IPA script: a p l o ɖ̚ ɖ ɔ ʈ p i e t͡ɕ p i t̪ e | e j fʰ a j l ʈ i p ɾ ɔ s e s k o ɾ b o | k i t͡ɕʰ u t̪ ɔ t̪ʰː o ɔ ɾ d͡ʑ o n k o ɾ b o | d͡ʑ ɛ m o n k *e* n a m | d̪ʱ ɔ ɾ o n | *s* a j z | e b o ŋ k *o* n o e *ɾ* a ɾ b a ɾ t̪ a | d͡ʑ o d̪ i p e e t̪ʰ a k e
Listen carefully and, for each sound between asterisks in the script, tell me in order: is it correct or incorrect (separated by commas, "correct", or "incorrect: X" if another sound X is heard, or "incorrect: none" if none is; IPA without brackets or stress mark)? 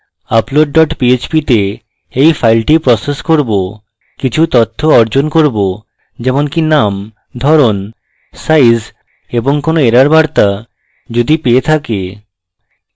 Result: incorrect: i, correct, correct, correct